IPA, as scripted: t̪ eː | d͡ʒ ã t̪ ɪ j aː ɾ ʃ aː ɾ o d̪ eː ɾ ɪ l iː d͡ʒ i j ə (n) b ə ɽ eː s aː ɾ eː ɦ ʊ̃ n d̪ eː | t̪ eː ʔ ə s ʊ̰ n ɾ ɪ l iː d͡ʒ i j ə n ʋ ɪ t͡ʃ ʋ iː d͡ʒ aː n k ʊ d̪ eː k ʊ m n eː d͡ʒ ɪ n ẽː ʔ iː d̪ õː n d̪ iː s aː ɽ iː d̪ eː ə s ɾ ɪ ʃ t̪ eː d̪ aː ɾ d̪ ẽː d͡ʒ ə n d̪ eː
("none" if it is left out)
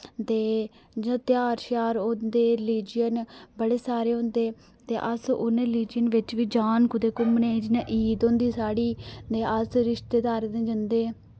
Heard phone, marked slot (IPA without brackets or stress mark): n